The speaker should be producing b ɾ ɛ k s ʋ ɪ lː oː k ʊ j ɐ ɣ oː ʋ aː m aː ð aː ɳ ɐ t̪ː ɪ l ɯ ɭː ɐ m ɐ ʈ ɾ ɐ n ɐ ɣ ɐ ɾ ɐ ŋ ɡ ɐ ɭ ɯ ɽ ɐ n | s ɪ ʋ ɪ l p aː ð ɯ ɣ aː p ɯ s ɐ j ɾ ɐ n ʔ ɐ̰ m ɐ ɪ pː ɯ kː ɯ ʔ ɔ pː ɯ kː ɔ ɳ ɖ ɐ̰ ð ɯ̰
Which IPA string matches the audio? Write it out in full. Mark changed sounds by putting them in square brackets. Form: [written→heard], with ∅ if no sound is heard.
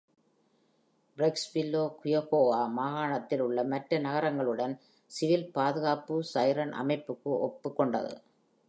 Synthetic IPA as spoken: b ɾ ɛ k s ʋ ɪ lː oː k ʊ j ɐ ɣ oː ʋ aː m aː [ð→ɣ] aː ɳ ɐ t̪ː ɪ l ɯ ɭː ɐ m ɐ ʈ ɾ ɐ n ɐ ɣ ɐ ɾ ɐ ŋ ɡ ɐ ɭ ɯ ɽ ɐ n | s ɪ ʋ ɪ l p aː ð ɯ ɣ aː p ɯ s ɐ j ɾ ɐ n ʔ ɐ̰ m ɐ ɪ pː ɯ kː ɯ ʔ ɔ pː ɯ kː ɔ ɳ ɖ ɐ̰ ð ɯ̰

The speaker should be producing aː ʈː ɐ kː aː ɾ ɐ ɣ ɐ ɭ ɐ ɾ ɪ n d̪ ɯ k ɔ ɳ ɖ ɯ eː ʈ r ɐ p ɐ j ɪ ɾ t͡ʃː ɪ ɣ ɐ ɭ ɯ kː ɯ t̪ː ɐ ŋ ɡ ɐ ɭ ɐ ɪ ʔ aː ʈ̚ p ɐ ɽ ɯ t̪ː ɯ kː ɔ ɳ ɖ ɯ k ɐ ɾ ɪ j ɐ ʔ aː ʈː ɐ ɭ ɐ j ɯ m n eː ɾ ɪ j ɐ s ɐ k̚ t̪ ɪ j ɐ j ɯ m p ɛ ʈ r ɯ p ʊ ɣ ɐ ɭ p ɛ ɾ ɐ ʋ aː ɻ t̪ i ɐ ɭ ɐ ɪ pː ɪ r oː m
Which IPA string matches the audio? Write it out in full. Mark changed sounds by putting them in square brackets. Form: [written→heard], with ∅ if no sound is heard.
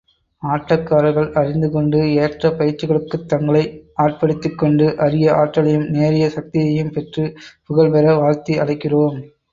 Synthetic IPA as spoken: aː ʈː ɐ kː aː ɾ ɐ ɣ ɐ ɭ ɐ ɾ ɪ n d̪ ɯ k ɔ ɳ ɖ ɯ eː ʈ r ɐ p ɐ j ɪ ɾ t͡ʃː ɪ ɣ ɐ ɭ ɯ kː ɯ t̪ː ɐ ŋ ɡ ɐ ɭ ɐ ɪ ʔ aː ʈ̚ p ɐ ɽ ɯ t̪ː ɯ kː ɔ ɳ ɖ ɯ [k→ʔ] ɐ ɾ ɪ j ɐ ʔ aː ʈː ɐ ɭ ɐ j ɯ m n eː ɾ ɪ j ɐ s ɐ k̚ t̪ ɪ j ɐ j ɯ m p ɛ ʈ r ɯ p ʊ ɣ ɐ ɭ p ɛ ɾ ɐ ʋ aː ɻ t̪ i ɐ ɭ ɐ ɪ [pː→kː] ɪ r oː m

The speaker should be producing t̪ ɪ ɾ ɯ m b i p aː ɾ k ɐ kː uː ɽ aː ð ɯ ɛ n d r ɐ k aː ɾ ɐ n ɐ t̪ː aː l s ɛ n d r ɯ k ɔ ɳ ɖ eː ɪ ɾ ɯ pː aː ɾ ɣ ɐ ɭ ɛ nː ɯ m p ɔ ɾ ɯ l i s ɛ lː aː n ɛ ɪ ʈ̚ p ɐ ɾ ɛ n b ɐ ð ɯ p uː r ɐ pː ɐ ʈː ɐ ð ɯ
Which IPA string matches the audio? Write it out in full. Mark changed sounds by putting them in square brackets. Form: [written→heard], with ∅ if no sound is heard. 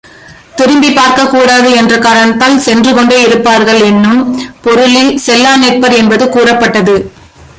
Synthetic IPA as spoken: t̪ ɪ ɾ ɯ m b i p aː ɾ k ɐ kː uː ɽ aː ð ɯ ɛ n d r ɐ k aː ɾ ɐ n ɐ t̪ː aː l s ɛ n d r ɯ k ɔ ɳ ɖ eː ɪ ɾ ɯ pː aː ɾ ɣ ɐ ɭ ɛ nː ɯ m p ɔ ɾ ɯ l i s ɛ lː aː n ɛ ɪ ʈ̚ p ɐ ɾ ɛ n b ɐ ð ɯ [p→k] uː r ɐ pː ɐ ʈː ɐ ð ɯ

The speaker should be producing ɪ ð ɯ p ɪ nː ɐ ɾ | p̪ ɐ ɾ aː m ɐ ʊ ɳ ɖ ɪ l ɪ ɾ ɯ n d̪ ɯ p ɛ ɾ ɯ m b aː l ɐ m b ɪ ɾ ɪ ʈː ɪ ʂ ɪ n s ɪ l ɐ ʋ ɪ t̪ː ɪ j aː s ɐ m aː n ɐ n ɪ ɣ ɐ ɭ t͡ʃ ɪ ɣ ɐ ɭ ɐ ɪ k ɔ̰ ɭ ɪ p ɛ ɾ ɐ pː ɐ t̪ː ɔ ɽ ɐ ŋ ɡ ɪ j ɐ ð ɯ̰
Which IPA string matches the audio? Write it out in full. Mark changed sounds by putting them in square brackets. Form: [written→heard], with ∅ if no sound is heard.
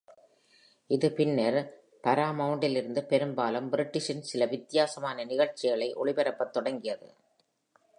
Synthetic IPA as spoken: ɪ ð ɯ p ɪ nː ɐ ɾ | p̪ ɐ ɾ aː m ɐ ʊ ɳ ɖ ɪ l ɪ ɾ ɯ n d̪ ɯ p ɛ ɾ ɯ m b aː l ɐ m b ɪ ɾ ɪ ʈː ɪ ʂ ɪ n s ɪ l ɐ ʋ ɪ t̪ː ɪ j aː s ɐ m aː n ɐ n ɪ ɣ ɐ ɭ t͡ʃ ɪ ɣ ɐ ɭ ɐ ɪ [k→ʔ] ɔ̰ ɭ ɪ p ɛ ɾ ɐ pː ɐ t̪ː ɔ ɽ ɐ ŋ ɡ ɪ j ɐ ð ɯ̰

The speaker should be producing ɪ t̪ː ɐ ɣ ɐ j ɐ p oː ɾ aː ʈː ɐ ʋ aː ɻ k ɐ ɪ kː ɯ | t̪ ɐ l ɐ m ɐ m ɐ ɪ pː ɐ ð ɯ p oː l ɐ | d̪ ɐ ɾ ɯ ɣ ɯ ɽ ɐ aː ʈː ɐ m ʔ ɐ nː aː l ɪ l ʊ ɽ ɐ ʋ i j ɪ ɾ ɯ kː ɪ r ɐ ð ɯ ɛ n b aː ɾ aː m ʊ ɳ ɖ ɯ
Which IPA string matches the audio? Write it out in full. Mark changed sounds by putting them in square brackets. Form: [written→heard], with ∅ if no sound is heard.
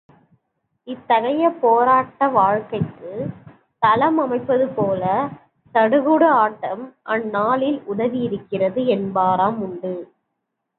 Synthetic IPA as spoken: ɪ t̪ː ɐ ɣ ɐ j ɐ p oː ɾ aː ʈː ɐ ʋ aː ɻ k ɐ ɪ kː ɯ | t̪ ɐ l ɐ m ɐ m ɐ ɪ pː ɐ ð ɯ p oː l ɐ | [d̪→t̪] ɐ [ɾ→ɽ] ɯ ɣ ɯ ɽ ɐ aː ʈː ɐ m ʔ ɐ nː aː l ɪ l ʊ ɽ ɐ ʋ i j ɪ ɾ ɯ kː ɪ r ɐ ð ɯ ɛ n b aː ɾ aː m ʊ ɳ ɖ ɯ

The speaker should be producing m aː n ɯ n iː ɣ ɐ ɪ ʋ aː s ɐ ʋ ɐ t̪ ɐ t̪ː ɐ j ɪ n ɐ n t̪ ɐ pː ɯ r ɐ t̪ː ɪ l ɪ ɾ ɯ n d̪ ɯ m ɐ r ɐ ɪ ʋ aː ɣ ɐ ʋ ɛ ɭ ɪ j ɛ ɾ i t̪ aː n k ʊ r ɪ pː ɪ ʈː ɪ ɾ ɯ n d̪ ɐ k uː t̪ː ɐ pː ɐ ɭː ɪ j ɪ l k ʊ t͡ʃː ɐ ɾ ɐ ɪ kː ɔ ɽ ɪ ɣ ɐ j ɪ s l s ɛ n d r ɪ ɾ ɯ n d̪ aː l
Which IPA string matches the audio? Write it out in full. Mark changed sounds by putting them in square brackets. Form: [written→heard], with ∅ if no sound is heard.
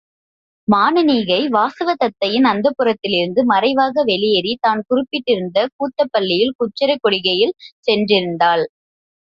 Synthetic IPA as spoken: m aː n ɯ n iː ɣ ɐ ɪ ʋ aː s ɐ ʋ ɐ t̪ ɐ t̪ː ɐ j ɪ n ɐ n [t̪→d̪] ɐ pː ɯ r ɐ t̪ː ɪ l ɪ ɾ ɯ n d̪ ɯ m ɐ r ɐ ɪ ʋ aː ɣ ɐ ʋ ɛ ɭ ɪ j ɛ ɾ i t̪ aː n k ʊ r ɪ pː ɪ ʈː ɪ ɾ ɯ n d̪ ɐ k uː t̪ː ɐ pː ɐ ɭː ɪ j ɪ l k ʊ t͡ʃː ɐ ɾ ɐ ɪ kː ɔ ɽ ɪ ɣ ɐ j ɪ [s→∅] l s ɛ n d r ɪ ɾ ɯ n d̪ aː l

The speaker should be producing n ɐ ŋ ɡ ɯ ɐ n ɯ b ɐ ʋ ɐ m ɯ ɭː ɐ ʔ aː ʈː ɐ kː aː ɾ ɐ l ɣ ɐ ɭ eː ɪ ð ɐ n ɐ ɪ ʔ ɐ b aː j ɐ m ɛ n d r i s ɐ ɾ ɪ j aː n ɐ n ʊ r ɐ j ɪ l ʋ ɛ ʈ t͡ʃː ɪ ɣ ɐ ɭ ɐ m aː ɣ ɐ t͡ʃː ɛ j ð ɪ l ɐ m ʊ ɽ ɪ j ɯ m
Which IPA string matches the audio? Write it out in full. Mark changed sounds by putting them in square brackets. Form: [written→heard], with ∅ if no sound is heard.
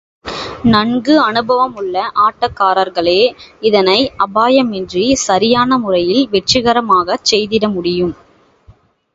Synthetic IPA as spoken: n ɐ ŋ ɡ ɯ ɐ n ɯ b ɐ ʋ ɐ m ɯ ɭː ɐ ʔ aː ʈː ɐ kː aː ɾ ɐ [l→ɾ] ɣ ɐ ɭ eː ɪ ð ɐ n ɐ ɪ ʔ ɐ b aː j ɐ m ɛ n d r i s ɐ ɾ ɪ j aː n ɐ [n→m] ʊ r ɐ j ɪ l ʋ ɛ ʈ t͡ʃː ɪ ɣ ɐ [ɭ→ɾ] ɐ m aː ɣ ɐ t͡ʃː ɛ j ð ɪ [l→ɽ] ɐ m ʊ ɽ ɪ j ɯ m

